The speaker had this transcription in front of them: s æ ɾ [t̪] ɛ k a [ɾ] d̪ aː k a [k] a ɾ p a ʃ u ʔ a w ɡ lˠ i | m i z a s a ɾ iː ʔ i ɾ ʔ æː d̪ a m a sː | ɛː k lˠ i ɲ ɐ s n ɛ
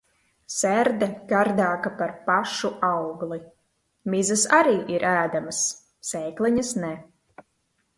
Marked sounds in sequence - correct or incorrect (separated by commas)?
incorrect, correct, incorrect